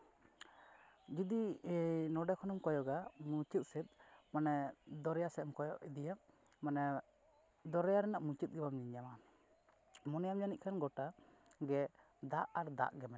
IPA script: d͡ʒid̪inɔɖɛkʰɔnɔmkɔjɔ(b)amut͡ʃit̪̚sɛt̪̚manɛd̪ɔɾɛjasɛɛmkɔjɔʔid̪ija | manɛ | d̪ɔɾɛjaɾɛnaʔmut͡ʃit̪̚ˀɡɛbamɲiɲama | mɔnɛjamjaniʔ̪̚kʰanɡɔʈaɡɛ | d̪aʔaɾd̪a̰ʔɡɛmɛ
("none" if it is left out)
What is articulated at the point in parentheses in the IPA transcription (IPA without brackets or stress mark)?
ɡ